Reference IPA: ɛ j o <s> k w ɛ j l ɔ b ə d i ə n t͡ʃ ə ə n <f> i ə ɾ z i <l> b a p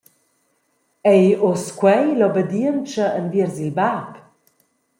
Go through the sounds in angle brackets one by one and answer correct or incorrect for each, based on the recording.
correct, incorrect: v, correct

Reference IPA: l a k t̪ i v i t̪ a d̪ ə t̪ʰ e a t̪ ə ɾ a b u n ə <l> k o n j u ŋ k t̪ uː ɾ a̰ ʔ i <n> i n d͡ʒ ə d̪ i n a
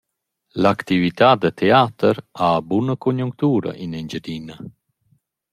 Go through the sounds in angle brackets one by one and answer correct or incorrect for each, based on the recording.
incorrect: none, correct

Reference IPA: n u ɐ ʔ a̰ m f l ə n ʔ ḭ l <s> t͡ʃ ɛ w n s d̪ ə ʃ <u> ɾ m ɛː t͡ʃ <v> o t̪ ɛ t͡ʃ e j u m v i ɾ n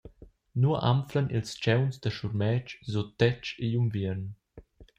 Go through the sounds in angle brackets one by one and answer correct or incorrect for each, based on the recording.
correct, correct, incorrect: z

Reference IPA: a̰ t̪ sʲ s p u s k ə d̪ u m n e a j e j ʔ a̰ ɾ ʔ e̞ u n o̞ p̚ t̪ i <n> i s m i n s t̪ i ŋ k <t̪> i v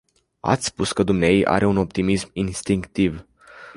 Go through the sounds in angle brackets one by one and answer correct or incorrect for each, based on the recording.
incorrect: m, correct

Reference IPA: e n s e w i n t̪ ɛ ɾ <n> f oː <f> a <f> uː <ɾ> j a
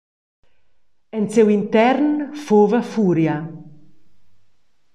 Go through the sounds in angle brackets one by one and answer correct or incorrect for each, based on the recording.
correct, incorrect: v, correct, correct

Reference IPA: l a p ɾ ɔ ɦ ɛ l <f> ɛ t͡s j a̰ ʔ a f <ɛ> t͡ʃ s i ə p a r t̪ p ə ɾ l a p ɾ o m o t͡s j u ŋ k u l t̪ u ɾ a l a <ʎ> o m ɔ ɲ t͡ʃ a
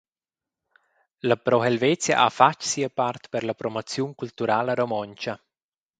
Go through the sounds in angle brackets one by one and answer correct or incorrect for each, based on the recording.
incorrect: v, incorrect: a, incorrect: ɾ

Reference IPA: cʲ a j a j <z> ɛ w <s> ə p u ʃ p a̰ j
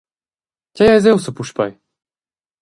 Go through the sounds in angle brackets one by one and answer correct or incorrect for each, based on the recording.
correct, correct

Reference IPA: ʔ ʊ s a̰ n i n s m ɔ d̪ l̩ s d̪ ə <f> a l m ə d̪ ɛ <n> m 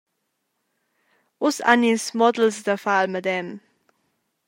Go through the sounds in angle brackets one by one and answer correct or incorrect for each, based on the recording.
correct, incorrect: none

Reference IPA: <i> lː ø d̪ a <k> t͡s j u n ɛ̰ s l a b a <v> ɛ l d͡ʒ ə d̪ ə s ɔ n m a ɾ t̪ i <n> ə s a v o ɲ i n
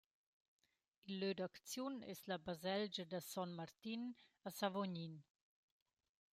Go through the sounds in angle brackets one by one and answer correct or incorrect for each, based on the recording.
correct, correct, incorrect: z, correct

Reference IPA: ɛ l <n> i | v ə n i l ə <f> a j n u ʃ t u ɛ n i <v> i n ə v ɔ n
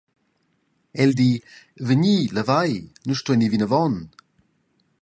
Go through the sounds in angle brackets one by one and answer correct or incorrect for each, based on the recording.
incorrect: d, incorrect: v, correct

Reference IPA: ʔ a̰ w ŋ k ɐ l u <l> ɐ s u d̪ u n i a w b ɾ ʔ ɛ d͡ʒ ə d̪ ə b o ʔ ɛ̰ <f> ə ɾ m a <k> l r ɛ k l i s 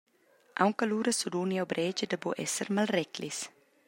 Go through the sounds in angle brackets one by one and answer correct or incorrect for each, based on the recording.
incorrect: ɾ, incorrect: s, incorrect: none

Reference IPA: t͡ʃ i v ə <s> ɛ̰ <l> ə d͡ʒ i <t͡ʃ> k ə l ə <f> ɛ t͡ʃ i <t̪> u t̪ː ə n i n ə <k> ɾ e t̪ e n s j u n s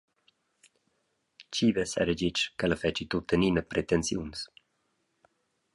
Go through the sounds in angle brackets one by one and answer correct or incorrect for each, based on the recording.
correct, incorrect: ɾ, correct, correct, correct, incorrect: p

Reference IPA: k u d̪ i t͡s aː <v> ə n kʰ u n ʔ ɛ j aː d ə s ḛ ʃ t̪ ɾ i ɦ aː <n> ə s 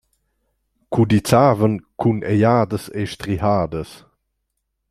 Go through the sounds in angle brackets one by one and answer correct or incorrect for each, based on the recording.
correct, incorrect: d

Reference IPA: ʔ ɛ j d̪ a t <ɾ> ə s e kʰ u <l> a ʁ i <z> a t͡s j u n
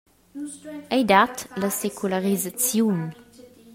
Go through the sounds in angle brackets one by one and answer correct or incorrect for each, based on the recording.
incorrect: l, correct, correct

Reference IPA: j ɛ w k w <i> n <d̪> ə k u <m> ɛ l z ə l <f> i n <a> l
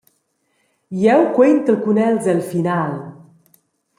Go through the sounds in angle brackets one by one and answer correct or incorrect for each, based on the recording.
incorrect: e, incorrect: t̪, incorrect: n, correct, correct

